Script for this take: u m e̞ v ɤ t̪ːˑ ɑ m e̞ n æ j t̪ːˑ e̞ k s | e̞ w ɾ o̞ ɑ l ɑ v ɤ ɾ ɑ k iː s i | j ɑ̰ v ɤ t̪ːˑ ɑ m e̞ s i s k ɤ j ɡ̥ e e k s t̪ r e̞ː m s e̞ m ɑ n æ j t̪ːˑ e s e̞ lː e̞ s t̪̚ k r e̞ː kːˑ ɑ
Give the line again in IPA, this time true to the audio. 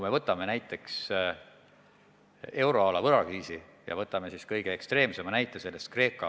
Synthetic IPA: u m e̞ v ɤ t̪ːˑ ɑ m e̞ n æ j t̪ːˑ e̞ k s | e̞ w ɾ o̞ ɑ l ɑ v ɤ ɾ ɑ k iː s i | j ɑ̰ v ɤ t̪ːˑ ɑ m e̞ s i s k ɤ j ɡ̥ e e k s t̪ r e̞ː m s e̞ m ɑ n æ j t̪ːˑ e s e̞ lː e̞ s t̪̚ k r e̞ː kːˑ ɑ